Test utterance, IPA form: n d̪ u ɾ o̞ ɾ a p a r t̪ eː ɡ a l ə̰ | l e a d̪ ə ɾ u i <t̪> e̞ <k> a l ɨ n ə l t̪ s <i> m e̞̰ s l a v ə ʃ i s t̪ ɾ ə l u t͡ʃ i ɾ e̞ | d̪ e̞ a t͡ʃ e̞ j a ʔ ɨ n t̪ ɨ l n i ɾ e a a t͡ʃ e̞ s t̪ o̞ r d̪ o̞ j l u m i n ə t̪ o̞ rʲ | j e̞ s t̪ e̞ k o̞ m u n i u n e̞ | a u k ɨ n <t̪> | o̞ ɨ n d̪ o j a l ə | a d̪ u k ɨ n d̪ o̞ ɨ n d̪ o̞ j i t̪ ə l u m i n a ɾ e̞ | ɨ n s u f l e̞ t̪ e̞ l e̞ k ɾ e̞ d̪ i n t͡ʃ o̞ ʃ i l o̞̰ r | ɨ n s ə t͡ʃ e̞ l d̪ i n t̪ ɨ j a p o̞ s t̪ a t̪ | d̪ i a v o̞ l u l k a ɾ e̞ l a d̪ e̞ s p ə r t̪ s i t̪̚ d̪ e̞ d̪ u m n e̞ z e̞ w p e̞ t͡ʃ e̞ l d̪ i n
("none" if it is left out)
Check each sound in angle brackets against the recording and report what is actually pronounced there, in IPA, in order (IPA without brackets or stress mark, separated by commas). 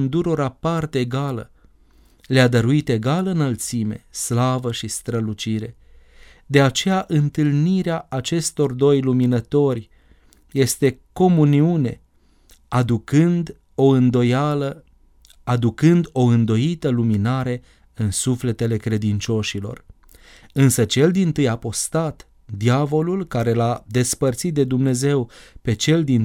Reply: t̪, ɡ, i, d̪